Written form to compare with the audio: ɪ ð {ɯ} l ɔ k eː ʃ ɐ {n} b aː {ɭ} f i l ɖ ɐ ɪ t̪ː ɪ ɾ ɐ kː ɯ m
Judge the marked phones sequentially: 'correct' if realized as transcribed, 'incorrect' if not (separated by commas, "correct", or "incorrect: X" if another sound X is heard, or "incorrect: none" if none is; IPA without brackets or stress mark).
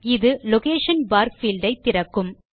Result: correct, correct, incorrect: ɾ